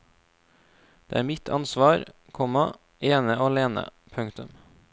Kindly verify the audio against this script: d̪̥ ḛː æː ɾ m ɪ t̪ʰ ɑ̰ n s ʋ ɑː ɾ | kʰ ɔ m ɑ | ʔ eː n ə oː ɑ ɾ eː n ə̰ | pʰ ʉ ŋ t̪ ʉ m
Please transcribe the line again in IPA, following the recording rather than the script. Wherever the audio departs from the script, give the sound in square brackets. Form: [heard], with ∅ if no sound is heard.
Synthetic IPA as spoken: d̪̥ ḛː æː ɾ m ɪ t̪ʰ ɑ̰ n s ʋ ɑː ɾ | kʰ ɔ m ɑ | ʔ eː n ə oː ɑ [l] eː n ə̰ | pʰ ʉ ŋ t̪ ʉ m